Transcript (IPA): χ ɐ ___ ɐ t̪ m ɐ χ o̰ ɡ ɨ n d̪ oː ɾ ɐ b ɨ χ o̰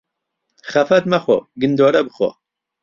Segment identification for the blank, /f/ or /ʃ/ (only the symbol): f